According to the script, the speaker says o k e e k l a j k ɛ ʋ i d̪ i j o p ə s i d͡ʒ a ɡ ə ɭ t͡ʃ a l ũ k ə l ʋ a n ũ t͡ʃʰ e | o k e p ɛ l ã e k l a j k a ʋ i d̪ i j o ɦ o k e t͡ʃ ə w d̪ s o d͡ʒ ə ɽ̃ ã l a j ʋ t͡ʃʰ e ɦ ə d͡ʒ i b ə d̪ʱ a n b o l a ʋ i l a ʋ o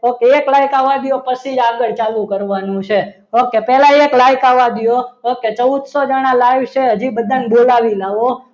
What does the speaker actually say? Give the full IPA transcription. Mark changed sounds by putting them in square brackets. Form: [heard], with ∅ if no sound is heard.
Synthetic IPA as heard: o k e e k l a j k [a] ʋ [a] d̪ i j o p ə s i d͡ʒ a ɡ ə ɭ t͡ʃ a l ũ k ə [ɾ] ʋ a n ũ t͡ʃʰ e | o k e p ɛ l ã e k l a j k a ʋ [a] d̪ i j o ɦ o k e t͡ʃ ə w d̪ s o d͡ʒ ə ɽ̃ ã l a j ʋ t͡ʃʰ e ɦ ə d͡ʒ i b ə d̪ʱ a n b o l a ʋ i l a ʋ o